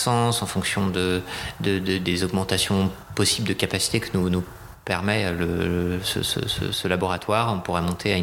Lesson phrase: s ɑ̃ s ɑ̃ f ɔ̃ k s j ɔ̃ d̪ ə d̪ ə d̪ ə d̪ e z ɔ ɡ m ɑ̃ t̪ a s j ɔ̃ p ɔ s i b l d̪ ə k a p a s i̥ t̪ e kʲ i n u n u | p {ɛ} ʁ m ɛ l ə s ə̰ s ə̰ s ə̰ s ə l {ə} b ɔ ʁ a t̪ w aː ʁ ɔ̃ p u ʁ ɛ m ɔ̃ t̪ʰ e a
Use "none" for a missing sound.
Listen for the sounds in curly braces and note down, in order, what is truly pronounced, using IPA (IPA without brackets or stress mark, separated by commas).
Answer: ɛ, a